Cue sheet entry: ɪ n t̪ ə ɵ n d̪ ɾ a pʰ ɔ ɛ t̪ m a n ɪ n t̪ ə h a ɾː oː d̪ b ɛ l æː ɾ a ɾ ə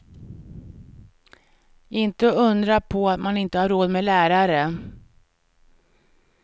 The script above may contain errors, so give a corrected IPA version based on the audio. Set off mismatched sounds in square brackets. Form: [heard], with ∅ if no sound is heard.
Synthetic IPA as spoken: ɪ n t̪ ə ɵ n d̪ ɾ a pʰ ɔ [a] t̪ m a n ɪ n t̪ ə h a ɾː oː d̪ [m] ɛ l æː ɾ a ɾ ə